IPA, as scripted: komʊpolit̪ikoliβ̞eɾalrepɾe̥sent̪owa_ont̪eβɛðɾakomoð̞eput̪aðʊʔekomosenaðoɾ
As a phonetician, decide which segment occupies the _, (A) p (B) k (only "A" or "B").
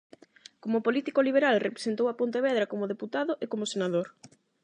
A